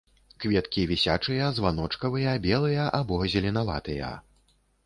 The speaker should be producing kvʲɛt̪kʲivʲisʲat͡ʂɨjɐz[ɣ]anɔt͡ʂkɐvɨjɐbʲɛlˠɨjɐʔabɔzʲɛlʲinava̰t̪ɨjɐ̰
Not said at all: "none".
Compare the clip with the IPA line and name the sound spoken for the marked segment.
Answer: v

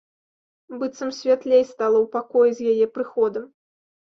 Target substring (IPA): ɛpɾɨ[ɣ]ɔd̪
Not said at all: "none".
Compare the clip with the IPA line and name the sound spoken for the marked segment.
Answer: x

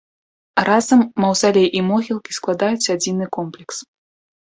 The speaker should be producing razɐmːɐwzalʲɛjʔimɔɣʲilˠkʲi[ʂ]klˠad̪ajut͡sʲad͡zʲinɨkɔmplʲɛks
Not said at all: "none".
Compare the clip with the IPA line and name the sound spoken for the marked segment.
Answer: s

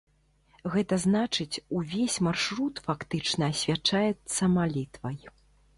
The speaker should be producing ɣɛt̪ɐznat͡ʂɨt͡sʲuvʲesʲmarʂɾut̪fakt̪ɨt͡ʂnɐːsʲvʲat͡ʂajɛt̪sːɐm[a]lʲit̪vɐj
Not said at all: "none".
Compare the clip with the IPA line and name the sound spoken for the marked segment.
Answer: a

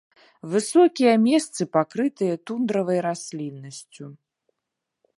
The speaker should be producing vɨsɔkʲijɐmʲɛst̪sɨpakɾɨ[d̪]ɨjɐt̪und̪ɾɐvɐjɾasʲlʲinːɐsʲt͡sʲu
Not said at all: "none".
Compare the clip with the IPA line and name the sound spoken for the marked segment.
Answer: t̪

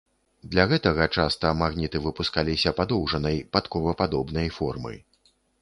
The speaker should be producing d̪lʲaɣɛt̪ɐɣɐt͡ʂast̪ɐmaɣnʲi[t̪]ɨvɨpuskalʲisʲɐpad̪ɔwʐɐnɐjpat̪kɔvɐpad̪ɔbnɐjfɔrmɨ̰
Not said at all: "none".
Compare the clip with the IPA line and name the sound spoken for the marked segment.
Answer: t̪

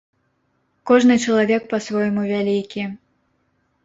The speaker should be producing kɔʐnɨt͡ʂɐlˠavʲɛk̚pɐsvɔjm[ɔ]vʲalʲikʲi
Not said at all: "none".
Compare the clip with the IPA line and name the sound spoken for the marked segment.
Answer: u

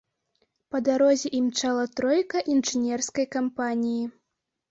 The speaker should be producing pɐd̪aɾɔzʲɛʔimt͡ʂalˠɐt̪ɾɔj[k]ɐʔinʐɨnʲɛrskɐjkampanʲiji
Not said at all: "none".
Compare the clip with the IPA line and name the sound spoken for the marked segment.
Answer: k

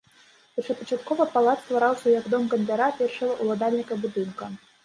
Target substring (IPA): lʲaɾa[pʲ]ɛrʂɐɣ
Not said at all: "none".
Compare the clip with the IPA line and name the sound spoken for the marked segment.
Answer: pʲ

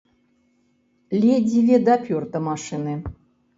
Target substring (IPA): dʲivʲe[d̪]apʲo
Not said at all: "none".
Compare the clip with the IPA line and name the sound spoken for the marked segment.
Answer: d̪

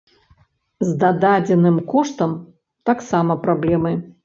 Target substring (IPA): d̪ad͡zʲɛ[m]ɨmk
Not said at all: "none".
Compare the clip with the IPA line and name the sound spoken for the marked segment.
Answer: n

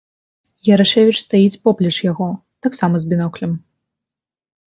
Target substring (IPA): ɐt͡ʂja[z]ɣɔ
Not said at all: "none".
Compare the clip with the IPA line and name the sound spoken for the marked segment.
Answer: none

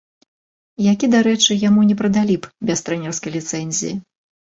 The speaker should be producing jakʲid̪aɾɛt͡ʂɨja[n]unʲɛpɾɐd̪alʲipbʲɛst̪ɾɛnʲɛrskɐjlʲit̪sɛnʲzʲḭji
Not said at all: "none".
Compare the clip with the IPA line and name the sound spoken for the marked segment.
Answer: m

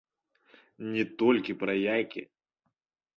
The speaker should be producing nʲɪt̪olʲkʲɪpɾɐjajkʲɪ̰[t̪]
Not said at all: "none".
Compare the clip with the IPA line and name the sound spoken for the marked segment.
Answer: none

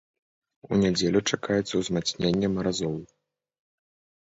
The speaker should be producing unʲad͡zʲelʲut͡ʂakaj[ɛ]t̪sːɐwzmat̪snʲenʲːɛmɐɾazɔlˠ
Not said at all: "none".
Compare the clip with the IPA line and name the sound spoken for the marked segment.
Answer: ɛ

